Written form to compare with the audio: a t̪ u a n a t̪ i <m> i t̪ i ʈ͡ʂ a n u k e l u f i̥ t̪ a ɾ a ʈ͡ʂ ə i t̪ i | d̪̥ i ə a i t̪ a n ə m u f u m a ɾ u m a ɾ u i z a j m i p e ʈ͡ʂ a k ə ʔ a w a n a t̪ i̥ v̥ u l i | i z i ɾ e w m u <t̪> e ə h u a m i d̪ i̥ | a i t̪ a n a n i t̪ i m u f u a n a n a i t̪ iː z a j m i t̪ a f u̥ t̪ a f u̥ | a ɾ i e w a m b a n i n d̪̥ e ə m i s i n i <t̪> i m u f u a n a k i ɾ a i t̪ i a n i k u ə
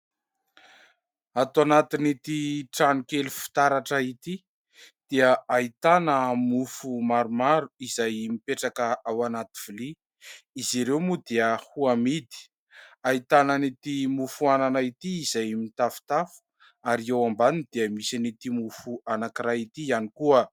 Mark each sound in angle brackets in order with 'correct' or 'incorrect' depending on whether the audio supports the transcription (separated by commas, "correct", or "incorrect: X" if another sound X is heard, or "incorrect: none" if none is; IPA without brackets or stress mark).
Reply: incorrect: n, incorrect: d̪, correct